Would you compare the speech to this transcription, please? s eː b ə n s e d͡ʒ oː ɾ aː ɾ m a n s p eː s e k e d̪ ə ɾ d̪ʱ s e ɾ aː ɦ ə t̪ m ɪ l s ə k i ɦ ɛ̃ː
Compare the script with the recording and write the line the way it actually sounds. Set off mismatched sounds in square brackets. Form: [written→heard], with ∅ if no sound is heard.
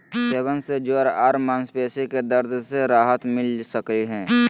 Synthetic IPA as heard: s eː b ə n s e d͡ʒ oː ɾ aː ɾ m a n s p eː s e k e d̪ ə ɾ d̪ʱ s e ɾ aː ɦ ə t̪ m ɪ l s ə k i ɦ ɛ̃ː